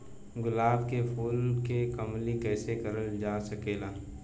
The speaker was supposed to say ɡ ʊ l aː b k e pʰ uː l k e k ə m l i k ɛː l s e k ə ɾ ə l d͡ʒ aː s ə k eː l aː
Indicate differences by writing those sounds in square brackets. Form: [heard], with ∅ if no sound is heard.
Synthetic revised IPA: ɡ ʊ l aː b k e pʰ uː l k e k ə m l i k ɛː [∅] s e k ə ɾ ə l d͡ʒ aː s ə k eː l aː